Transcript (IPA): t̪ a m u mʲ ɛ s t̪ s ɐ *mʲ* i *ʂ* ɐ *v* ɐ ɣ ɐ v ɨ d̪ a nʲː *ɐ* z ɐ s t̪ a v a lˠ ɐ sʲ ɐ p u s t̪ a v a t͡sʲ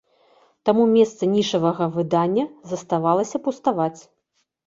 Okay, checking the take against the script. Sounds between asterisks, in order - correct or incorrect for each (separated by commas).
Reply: incorrect, correct, correct, correct